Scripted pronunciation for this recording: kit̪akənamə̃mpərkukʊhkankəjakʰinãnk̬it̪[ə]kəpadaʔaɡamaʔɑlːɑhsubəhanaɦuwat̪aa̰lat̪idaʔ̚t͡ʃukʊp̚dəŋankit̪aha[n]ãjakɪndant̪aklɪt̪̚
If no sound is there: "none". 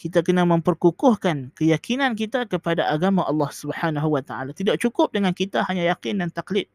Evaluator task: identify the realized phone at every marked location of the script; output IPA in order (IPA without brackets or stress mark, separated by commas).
a, ɲ